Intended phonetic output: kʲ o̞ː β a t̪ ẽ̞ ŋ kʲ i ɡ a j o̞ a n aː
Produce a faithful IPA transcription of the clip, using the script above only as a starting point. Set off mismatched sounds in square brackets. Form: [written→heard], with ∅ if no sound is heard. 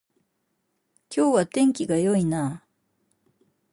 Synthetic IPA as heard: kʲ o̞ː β a t̪ ẽ̞ ŋ kʲ i ɡ a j o̞ [a→i] n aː